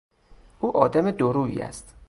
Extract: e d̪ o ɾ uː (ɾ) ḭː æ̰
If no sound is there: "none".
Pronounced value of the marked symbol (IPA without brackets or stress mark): none